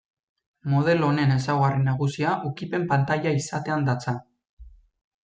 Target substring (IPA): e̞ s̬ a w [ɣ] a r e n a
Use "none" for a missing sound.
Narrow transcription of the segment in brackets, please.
ɣ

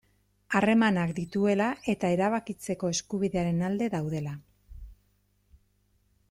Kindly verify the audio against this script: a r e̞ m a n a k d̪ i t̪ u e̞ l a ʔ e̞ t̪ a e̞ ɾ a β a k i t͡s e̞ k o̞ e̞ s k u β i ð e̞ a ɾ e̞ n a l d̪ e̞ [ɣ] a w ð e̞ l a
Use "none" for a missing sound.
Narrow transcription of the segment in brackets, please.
ð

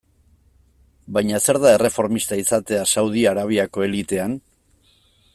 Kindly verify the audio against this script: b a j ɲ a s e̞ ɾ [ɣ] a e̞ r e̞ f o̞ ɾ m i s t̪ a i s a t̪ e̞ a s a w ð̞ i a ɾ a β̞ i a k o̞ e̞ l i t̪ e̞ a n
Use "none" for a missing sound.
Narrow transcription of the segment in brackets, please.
ð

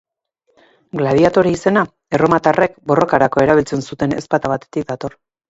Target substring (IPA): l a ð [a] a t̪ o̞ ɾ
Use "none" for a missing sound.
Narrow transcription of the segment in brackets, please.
i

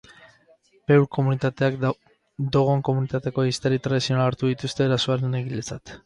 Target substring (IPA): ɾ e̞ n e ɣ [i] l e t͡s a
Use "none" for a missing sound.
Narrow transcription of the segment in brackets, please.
i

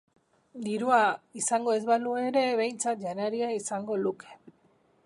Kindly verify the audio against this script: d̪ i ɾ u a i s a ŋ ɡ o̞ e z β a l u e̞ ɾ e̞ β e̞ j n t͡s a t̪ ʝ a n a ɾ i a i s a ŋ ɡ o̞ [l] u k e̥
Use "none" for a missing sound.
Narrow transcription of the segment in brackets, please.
l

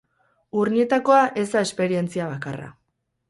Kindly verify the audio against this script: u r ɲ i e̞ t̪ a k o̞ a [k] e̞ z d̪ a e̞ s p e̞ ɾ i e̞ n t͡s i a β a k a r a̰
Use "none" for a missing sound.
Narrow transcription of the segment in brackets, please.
ʔ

